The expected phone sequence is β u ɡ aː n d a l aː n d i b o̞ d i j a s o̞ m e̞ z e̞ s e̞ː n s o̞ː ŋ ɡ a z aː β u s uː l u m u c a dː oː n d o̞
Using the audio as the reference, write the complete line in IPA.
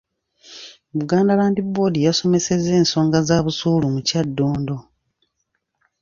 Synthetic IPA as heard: β u ɡ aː n d a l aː n d i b o̞ d i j a s o̞ m e̞ s e̞ z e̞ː n s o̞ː ŋ ɡ a z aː β u s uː l u m u c a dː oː n d o̞